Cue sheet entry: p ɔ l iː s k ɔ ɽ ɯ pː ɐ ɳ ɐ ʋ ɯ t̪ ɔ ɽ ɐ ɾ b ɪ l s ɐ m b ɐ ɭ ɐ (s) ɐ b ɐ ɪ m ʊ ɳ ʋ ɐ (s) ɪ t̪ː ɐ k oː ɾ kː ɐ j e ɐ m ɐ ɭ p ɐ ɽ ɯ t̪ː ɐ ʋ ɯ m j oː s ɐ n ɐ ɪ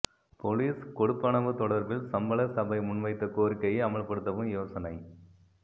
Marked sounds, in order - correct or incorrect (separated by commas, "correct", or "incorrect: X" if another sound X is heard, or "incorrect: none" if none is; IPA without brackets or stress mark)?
correct, incorrect: none